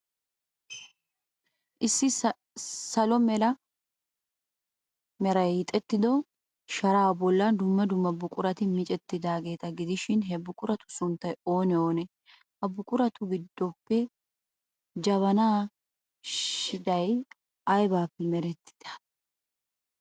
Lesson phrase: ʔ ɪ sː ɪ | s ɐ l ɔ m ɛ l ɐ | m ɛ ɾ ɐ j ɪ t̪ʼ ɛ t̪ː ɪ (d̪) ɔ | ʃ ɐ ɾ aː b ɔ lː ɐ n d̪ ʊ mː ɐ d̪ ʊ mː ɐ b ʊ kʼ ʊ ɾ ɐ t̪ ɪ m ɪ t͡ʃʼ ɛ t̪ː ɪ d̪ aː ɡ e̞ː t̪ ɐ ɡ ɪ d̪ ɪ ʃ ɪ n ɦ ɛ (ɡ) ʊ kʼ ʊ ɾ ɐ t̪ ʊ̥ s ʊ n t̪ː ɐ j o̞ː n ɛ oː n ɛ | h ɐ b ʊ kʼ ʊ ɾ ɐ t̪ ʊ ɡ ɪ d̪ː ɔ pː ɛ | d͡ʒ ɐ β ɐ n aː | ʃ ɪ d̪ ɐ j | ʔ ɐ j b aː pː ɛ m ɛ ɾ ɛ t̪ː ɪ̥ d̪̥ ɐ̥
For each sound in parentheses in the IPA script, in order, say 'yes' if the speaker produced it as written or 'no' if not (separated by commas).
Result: yes, no